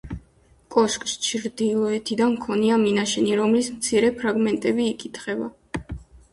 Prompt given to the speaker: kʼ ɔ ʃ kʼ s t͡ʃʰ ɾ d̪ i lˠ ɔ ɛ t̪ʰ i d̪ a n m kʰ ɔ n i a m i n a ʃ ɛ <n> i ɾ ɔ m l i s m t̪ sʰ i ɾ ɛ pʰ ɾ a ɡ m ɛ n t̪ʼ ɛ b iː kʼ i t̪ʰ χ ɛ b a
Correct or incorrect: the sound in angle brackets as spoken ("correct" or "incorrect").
correct